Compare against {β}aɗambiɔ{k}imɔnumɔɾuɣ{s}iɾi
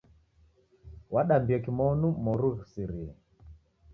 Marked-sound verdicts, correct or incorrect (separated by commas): incorrect, correct, correct